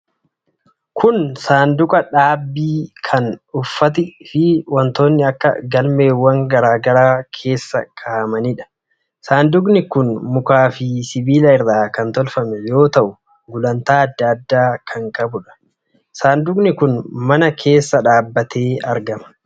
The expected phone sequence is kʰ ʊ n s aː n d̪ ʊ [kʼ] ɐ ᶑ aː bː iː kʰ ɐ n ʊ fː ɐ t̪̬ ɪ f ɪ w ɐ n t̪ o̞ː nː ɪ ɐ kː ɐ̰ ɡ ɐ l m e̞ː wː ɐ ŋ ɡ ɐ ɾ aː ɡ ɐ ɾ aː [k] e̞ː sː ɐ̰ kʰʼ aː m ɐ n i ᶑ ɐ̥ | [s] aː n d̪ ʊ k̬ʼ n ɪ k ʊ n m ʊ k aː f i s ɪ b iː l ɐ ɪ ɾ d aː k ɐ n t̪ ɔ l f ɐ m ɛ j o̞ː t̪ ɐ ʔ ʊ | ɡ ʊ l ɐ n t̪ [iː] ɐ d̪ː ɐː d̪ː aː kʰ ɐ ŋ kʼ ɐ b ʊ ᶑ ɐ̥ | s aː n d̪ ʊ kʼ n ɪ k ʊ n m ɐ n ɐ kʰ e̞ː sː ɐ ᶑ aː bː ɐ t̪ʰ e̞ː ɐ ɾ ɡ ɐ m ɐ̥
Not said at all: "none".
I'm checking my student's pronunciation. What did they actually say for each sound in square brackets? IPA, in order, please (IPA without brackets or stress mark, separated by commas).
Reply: kʼ, kʰ, s, aː